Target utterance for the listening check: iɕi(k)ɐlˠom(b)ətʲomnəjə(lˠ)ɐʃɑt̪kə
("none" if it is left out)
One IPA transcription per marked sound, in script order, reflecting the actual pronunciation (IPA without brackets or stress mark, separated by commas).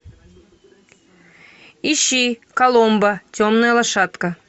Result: k, b, lˠ